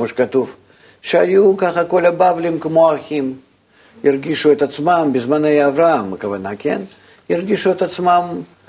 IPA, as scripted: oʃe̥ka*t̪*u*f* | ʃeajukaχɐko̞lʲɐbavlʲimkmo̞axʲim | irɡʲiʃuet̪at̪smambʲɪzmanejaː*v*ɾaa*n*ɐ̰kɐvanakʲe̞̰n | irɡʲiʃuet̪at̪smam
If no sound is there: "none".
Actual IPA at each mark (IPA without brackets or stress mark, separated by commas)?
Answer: t̪, f, v, m